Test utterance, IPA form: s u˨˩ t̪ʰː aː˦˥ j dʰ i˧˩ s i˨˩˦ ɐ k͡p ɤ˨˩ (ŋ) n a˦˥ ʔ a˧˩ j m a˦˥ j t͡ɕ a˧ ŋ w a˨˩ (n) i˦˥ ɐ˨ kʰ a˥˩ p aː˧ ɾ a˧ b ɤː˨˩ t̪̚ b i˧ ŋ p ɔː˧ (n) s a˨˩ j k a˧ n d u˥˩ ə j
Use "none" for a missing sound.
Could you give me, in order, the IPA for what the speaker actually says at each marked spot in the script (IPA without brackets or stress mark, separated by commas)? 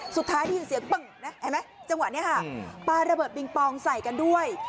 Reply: ŋ, n, ŋ